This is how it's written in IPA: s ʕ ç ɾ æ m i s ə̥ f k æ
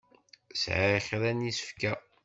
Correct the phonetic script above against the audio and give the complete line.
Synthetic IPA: s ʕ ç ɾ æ n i s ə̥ f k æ

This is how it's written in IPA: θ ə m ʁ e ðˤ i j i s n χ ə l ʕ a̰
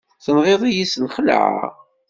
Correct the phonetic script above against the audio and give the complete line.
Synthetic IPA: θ ə n ʁ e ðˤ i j i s n χ ə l ʕ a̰

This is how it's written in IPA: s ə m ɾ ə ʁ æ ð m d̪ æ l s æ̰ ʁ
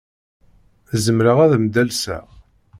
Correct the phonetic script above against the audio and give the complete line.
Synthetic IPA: z ə m ɾ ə ʁ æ ð m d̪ æ l s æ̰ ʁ

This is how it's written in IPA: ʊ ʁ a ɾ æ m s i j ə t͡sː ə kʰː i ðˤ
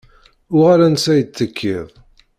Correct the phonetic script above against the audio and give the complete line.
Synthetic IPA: ʊ ʁ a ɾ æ n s æ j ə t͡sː ə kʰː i ðˤ

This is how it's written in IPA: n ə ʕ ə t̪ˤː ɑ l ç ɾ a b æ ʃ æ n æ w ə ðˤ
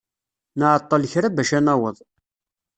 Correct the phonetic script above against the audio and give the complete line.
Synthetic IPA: n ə ʕ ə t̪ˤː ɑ l ç ɾ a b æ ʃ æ n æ w ə ðˤ

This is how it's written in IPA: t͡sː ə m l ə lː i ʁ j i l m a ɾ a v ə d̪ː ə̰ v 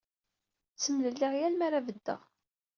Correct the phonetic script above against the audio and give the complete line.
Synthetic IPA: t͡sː ə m l ə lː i ʁ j æ l m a ɾ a v ə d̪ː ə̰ ʁ

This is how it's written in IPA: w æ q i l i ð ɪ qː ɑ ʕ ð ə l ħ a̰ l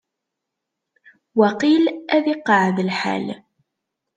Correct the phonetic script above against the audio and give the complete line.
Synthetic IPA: w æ q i l æ ð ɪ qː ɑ ʕ ð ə l ħ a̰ l

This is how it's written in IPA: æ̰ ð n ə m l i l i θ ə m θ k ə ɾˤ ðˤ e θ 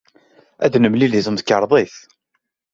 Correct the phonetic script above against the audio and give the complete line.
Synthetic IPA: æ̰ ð n ə m l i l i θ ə m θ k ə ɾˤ ðˤ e θ

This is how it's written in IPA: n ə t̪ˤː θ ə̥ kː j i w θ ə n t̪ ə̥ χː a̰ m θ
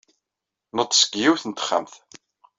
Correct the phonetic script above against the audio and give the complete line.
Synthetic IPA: n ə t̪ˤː s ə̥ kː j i w θ ə n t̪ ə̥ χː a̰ m θ

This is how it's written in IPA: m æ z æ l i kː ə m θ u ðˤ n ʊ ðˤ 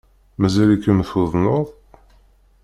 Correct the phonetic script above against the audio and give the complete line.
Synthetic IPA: m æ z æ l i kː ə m θ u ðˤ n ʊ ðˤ

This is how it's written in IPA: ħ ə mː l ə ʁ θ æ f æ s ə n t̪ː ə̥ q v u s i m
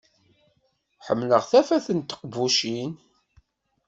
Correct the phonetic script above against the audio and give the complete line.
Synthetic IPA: ħ ə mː l ə ʁ θ æ f æ θ ə n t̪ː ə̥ q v u ʃ i n

